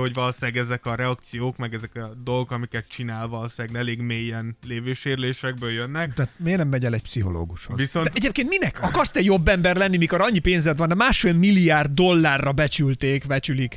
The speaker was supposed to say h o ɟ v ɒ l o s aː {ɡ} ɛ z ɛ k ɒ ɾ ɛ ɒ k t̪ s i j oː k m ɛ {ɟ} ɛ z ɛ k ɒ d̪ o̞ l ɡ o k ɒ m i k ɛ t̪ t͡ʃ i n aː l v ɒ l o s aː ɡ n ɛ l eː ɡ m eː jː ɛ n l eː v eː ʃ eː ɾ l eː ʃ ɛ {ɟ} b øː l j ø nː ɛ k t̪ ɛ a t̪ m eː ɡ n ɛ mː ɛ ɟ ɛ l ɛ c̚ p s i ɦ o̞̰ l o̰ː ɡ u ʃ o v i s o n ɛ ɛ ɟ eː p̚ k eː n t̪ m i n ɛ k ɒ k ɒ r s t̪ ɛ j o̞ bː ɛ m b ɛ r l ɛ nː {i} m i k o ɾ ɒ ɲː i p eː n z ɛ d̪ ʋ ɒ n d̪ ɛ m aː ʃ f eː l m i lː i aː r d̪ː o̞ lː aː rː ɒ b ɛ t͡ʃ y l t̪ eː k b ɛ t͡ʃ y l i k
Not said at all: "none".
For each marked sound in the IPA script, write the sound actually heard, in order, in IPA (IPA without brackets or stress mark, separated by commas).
ɡ, ɡ, ɡ, i